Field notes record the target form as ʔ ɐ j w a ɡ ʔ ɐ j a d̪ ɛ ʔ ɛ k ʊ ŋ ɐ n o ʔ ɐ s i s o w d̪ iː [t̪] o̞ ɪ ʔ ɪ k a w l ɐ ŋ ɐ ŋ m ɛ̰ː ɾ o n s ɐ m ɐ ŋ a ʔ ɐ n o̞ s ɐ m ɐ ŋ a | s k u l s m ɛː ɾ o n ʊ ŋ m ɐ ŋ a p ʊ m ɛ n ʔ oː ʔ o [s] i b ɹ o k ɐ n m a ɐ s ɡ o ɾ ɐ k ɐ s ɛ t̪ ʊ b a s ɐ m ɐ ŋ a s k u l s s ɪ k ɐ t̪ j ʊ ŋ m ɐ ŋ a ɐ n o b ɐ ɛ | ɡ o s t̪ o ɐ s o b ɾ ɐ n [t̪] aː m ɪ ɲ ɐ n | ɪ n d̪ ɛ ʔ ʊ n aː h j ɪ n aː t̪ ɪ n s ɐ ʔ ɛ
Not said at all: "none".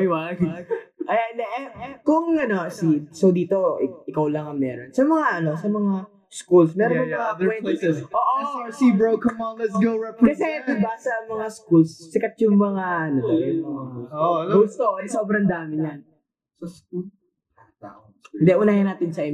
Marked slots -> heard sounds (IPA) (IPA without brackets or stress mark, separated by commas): t̪, s, d̪